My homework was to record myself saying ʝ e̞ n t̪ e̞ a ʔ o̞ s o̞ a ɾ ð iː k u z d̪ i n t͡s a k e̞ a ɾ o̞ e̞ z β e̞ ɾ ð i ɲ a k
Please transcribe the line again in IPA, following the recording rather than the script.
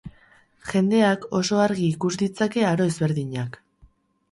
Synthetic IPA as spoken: ʝ e̞ n d̪ e̞ a k o̞ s o̞ a ɾ ɣ iː k u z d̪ i t͡s a k e̞ a ɾ o̞ e̞ z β e̞ ɾ ð i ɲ a k